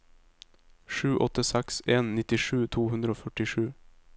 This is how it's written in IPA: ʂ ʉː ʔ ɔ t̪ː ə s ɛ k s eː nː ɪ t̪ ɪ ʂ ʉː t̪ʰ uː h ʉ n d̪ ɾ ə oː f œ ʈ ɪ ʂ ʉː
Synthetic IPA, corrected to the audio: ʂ ʉː ʔ ɔ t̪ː ə s ɛ k s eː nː ɪ t̪ ɪ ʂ ʉː t̪ʰ uː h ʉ n d̪ ɾ ə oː f œ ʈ ɪ ʂ ʉː